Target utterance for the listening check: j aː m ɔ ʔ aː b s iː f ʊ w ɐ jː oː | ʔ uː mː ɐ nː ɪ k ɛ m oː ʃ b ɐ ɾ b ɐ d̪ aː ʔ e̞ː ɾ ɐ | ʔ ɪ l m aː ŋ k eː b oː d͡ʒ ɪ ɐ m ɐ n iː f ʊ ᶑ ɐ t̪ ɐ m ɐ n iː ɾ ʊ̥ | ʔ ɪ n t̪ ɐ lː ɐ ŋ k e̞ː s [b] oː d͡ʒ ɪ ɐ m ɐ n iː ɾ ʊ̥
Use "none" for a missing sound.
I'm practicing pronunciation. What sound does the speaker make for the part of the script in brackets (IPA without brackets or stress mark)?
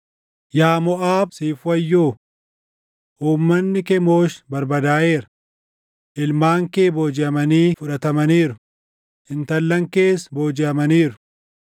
b